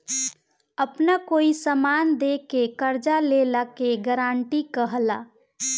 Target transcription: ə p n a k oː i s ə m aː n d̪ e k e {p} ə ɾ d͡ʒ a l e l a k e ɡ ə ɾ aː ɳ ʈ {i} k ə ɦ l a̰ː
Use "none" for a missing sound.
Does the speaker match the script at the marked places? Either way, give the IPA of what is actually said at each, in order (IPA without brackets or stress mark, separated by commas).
k, i